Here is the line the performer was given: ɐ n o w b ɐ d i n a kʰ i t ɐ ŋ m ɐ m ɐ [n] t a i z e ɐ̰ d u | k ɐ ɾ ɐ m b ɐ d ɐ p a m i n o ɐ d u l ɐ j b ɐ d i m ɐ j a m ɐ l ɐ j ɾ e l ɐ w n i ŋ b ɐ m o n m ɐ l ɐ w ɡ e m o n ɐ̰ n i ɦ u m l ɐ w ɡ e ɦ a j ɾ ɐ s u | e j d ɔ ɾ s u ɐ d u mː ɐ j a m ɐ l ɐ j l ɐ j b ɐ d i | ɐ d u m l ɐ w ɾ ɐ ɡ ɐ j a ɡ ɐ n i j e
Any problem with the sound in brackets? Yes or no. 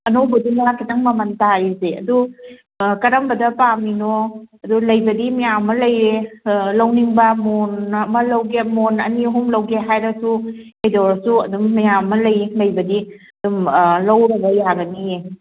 no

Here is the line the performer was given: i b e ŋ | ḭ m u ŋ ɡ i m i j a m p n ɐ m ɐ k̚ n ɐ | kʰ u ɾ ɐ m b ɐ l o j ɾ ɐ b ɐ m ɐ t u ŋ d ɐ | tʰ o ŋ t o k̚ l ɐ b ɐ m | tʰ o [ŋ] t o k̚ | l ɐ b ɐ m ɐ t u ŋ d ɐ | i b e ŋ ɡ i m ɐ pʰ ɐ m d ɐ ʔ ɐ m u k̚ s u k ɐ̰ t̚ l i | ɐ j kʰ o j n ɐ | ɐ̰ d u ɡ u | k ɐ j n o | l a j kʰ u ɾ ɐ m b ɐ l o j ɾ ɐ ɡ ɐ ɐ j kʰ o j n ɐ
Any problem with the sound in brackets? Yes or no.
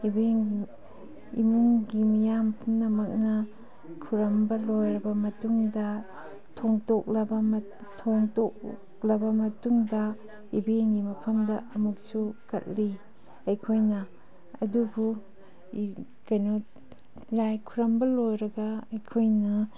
no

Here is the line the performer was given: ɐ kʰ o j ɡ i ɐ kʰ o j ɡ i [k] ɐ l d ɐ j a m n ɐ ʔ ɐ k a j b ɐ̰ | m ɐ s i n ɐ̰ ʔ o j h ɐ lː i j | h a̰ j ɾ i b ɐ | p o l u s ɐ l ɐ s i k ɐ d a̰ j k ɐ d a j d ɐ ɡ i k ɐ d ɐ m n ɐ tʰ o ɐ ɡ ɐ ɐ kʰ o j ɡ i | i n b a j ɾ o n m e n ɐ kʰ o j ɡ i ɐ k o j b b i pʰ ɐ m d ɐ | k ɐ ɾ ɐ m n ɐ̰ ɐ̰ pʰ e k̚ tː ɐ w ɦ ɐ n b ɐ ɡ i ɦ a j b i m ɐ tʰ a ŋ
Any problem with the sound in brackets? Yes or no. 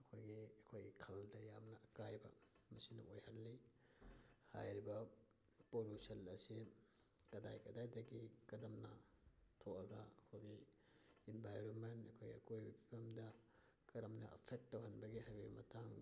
yes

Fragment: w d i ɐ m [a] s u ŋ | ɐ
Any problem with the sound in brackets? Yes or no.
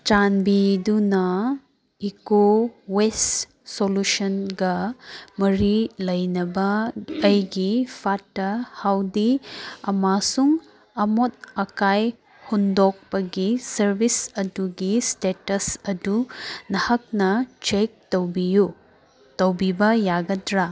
no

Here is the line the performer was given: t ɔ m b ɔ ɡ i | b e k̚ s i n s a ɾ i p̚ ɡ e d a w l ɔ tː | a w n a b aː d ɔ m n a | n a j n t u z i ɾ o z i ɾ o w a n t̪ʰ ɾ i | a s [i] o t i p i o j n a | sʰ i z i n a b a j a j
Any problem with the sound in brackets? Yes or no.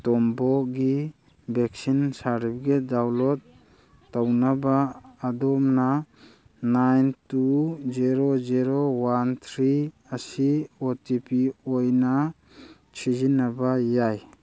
no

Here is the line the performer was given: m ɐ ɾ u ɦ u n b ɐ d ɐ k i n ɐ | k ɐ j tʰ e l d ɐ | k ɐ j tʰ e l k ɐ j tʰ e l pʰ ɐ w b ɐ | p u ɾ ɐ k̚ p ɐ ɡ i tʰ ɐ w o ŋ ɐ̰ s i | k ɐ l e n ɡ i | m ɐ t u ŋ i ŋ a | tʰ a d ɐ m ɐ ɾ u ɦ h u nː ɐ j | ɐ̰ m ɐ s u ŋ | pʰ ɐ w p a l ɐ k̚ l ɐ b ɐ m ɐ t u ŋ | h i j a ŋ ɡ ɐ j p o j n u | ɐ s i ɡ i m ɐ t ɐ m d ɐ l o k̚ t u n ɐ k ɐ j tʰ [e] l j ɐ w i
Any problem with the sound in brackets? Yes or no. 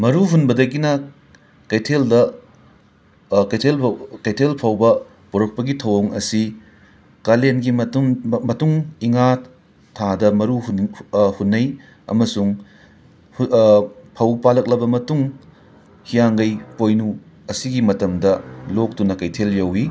no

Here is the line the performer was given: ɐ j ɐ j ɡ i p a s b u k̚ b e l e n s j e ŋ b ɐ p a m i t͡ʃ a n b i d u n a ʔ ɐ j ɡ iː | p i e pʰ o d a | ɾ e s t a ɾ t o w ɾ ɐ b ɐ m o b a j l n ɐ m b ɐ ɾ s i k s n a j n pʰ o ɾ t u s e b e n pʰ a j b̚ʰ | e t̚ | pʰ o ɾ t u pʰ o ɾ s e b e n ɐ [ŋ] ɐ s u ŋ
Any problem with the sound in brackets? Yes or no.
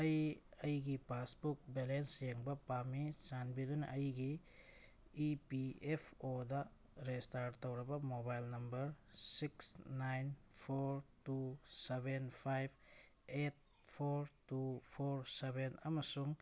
yes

